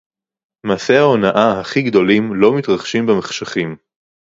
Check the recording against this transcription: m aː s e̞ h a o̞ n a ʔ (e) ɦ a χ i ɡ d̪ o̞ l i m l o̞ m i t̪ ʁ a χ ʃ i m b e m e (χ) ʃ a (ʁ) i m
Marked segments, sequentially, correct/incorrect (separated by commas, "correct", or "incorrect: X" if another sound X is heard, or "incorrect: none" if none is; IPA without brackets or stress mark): incorrect: a, correct, incorrect: χ